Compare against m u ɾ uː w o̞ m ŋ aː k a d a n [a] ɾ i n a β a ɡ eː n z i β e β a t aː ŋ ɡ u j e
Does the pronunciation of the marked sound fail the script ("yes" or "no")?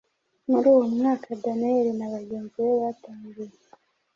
yes